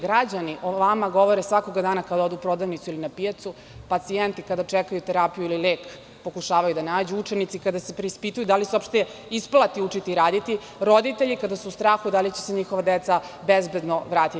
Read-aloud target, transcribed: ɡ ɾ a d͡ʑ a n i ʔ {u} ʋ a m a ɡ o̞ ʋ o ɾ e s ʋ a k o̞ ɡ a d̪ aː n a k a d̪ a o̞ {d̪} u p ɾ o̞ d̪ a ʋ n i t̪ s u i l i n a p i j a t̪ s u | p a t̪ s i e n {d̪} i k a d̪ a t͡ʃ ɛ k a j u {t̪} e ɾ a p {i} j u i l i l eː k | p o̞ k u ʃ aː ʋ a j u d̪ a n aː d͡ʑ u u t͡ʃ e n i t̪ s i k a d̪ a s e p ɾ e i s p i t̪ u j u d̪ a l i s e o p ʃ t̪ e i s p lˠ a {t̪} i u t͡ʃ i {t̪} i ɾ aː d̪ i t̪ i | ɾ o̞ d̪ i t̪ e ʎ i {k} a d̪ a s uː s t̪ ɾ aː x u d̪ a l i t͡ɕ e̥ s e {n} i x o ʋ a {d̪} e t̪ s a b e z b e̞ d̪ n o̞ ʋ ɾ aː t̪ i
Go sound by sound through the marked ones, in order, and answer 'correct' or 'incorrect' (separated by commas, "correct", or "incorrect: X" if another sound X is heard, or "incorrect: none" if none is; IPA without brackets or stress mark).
incorrect: o, correct, incorrect: t̪, correct, correct, correct, correct, correct, incorrect: ɲ, correct